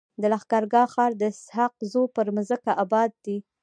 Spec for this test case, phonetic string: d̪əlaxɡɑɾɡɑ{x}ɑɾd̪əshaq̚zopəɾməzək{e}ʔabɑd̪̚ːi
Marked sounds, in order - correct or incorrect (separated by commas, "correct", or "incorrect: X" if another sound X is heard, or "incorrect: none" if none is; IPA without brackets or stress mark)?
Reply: correct, incorrect: a